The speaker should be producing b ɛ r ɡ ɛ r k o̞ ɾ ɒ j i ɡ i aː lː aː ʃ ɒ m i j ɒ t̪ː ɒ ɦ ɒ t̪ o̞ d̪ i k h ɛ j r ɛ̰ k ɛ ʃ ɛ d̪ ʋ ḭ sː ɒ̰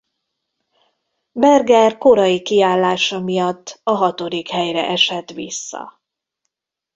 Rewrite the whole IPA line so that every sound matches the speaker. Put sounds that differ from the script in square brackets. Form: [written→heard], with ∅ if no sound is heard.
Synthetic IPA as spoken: b ɛ r ɡ ɛ r k o̞ ɾ ɒ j i [ɡ→k] i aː lː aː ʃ ɒ m i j ɒ t̪ː ɒ ɦ ɒ t̪ o̞ d̪ i k h ɛ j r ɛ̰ [k→ʔ] ɛ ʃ ɛ [d̪→t̪] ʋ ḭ sː ɒ̰